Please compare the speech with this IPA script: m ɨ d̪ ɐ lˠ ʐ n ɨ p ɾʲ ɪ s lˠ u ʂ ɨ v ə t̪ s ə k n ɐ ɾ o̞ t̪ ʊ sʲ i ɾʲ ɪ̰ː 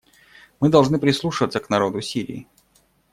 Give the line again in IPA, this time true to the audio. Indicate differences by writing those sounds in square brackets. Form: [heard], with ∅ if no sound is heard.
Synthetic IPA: m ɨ d̪ ɐ lˠ ʐ n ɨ p ɾʲ ɪ s lˠ u ʂ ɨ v ə t̪ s ə k n ɐ ɾ o̞ [d̪] ʊ sʲ i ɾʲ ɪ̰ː

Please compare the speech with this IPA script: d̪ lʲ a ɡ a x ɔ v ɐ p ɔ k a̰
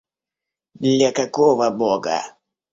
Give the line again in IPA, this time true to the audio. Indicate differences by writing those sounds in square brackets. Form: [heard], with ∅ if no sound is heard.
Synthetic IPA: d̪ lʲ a [k] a [k] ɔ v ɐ [b] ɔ [ɡ] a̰

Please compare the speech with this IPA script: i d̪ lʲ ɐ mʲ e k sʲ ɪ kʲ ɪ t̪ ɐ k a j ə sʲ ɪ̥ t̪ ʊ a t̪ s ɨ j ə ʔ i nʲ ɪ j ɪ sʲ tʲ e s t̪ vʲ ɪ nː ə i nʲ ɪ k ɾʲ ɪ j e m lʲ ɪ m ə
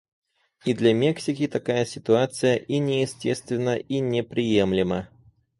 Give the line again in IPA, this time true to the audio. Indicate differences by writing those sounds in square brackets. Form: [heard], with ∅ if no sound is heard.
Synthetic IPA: i d̪ lʲ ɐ mʲ e k sʲ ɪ kʲ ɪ t̪ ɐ k a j ə sʲ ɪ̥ t̪ ʊ a t̪ s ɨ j ə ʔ i nʲ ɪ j ɪ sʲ tʲ e s t̪ vʲ ɪ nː ə i nʲ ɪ [p] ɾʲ ɪ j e m lʲ ɪ m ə

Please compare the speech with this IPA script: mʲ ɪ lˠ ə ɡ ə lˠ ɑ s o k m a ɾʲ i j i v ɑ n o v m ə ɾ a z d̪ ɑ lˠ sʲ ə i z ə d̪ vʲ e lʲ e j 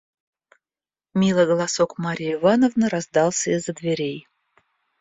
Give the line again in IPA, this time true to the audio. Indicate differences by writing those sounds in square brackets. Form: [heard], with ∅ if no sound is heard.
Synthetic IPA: mʲ [i] lˠ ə ɡ ə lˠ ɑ s o k m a ɾʲ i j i v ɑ n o v [n] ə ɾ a z d̪ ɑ lˠ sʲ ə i z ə d̪ vʲ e [ɾʲ] e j

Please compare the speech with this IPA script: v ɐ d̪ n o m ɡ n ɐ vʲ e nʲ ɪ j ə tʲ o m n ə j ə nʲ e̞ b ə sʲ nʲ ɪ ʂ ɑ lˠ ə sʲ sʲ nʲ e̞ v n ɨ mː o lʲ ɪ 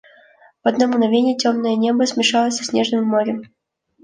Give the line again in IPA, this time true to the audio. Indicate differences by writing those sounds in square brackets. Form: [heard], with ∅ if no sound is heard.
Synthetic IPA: v ɐ d̪ n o m ɡ n ɐ vʲ e nʲ ɪ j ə tʲ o m n ə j ə nʲ e̞ b ə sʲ [mʲ] ɪ ʂ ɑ lˠ ə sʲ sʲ nʲ e̞ [ʐ] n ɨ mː o [ɾʲ] ɪ

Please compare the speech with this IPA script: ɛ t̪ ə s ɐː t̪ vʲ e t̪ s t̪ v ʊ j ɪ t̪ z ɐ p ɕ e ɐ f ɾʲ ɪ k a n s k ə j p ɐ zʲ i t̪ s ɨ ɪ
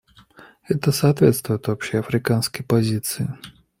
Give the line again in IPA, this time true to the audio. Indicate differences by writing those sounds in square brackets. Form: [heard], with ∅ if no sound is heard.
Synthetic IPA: ɛ t̪ ə s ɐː t̪ vʲ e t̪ s t̪ v ʊ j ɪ t̪ [v] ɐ p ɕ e ɐ f ɾʲ ɪ k a n s k ə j p ɐ zʲ i t̪ s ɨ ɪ

